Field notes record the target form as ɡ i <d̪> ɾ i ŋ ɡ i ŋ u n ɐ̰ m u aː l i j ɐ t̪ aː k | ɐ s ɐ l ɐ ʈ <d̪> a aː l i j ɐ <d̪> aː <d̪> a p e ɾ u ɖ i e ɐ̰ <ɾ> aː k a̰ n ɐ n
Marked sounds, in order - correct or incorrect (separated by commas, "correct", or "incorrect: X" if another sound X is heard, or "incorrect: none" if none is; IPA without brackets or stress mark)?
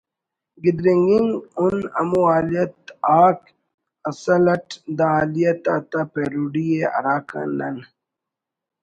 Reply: correct, correct, incorrect: t̪, incorrect: t̪, correct